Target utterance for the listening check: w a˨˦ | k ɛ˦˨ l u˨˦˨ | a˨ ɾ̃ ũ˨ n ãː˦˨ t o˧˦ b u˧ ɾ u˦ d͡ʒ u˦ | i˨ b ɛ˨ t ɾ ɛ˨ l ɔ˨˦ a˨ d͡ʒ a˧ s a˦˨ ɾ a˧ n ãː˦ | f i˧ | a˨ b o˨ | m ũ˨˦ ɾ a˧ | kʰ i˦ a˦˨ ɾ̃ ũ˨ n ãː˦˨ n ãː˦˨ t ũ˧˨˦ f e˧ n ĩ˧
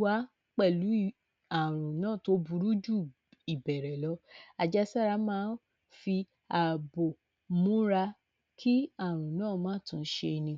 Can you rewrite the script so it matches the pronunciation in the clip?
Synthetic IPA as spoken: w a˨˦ | k͡p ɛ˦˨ l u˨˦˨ | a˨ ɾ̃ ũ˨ n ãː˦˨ t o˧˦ b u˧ ɾ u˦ d͡ʒ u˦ | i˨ b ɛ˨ ɾ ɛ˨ l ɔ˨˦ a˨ d͡ʒ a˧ s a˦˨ ɾ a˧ m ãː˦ | f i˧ | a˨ b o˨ | m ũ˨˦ ɾ a˧ | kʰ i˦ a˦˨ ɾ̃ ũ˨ n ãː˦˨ m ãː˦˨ t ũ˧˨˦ ʃ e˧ n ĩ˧